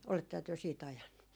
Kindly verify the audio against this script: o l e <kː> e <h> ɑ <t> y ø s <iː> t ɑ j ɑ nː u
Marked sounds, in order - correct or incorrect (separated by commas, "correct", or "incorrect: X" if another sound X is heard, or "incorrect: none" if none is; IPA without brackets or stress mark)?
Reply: incorrect: tː, correct, correct, correct